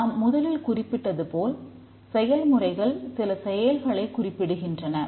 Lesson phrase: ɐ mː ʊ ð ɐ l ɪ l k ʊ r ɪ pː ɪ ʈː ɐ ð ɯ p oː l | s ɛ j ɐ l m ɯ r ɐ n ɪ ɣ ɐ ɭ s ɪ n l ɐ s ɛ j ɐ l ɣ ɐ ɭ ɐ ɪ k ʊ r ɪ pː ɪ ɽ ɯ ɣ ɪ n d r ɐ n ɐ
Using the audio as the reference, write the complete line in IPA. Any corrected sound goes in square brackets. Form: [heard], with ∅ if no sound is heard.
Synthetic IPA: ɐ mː ʊ ð ɐ l ɪ l k ʊ r ɪ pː ɪ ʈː ɐ ð ɯ p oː l | s ɛ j ɐ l m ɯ r ɐ [∅] ɪ ɣ ɐ ɭ s ɪ [∅] l ɐ s ɛ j ɐ l ɣ ɐ ɭ ɐ ɪ k ʊ r ɪ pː ɪ ɽ ɯ ɣ ɪ n d r ɐ n ɐ

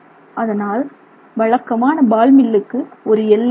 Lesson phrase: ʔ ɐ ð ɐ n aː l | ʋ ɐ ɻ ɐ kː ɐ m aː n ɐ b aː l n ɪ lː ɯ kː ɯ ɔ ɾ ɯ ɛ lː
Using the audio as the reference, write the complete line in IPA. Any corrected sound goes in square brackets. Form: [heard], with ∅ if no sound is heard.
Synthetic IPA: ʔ ɐ ð ɐ n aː l | ʋ ɐ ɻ ɐ kː ɐ m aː n ɐ b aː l [m] ɪ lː ɯ kː ɯ ɔ ɾ ɯ ɛ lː

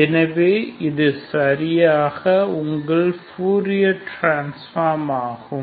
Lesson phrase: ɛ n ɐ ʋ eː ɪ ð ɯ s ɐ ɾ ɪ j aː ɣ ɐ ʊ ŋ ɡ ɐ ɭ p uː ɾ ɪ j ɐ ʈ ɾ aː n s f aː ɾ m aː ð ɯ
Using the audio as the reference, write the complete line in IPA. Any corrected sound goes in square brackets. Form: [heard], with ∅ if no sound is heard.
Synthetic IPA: ɛ n ɐ ʋ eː ɪ ð ɯ s ɐ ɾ ɪ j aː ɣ ɐ ʊ ŋ ɡ ɐ ɭ p uː ɾ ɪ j ɐ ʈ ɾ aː n s f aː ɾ m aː [ɣ] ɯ

